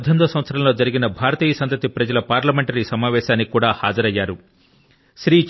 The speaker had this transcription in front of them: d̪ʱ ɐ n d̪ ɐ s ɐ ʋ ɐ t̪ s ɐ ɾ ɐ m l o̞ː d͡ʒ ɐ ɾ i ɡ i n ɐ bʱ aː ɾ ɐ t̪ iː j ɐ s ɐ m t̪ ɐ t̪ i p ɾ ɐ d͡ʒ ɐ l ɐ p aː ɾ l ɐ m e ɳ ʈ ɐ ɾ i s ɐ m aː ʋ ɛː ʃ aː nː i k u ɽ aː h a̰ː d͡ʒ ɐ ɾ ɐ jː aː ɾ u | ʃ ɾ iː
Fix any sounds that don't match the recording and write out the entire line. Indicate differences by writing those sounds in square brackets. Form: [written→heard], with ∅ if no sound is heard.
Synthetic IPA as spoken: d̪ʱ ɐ n d̪ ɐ s ɐ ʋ ɐ t̪ s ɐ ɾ ɐ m l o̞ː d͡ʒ ɐ ɾ i ɡ i n ɐ bʱ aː ɾ ɐ t̪ iː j ɐ s ɐ [m→n] t̪ ɐ t̪ i p ɾ ɐ d͡ʒ ɐ l ɐ p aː ɾ l ɐ m e ɳ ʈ ɐ ɾ i s ɐ m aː ʋ ɛː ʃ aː nː i k [u→uː] ɽ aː h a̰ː d͡ʒ ɐ ɾ ɐ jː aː ɾ u | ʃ ɾ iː

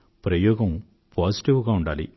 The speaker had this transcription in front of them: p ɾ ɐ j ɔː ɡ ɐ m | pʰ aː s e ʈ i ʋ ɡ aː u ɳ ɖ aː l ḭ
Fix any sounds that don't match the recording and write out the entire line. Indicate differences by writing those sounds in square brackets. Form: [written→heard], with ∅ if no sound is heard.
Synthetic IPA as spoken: p ɾ ɐ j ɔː ɡ ɐ m | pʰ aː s [e→i] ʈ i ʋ ɡ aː u ɳ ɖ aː l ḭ

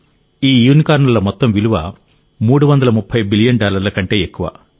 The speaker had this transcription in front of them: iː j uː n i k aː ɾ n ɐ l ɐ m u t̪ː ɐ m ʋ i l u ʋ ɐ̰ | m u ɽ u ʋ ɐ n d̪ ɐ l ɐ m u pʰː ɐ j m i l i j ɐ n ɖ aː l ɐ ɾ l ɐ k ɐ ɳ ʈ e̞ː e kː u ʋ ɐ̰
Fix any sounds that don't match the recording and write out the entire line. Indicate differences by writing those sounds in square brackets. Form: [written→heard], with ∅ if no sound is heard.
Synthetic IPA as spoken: iː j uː n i k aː ɾ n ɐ l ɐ m [u→ɔ] t̪ː ɐ m ʋ i l u ʋ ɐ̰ | m [u→uː] ɽ u ʋ ɐ n d̪ ɐ l ɐ m u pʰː ɐ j [m→b] i l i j ɐ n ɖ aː l ɐ ɾ l ɐ k ɐ ɳ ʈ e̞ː e kː u ʋ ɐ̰

